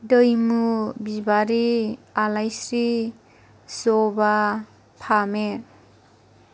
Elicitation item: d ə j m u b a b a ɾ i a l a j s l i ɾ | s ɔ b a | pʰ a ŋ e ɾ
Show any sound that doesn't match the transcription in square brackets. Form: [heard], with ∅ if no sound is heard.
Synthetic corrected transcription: d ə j m u b [i] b a ɾ i a l a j s [ɾ] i [∅] | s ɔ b a | pʰ a [m] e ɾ